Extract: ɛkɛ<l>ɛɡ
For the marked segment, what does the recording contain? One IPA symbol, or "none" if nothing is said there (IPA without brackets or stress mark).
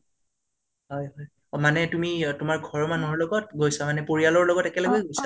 l